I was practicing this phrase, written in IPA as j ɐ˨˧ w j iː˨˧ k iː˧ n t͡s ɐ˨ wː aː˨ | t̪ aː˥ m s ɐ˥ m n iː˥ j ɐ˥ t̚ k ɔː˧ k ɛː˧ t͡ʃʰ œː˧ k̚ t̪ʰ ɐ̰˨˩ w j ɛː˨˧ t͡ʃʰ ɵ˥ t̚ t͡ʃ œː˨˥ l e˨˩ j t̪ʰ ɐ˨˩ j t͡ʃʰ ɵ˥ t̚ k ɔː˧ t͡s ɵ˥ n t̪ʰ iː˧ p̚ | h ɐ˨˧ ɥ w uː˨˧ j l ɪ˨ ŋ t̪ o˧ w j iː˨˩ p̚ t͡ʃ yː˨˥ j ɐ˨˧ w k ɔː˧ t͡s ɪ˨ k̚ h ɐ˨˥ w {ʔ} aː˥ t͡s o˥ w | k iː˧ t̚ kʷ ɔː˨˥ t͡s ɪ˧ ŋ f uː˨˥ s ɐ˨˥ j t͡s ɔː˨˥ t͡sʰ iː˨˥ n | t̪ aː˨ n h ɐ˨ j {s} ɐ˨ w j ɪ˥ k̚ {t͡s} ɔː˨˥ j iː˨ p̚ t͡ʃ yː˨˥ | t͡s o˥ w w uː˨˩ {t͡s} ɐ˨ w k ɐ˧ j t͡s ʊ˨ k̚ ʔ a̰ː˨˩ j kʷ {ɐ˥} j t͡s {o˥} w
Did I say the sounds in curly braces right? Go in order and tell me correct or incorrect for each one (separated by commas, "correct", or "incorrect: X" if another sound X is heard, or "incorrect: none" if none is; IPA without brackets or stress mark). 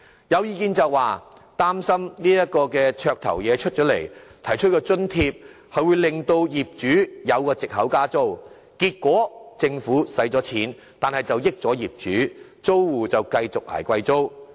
incorrect: k, incorrect: t͡s, correct, correct, incorrect: ɐ˧, correct